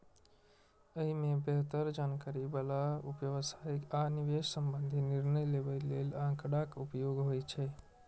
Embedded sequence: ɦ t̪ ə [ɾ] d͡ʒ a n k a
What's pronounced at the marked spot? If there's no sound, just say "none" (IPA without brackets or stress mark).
ɾ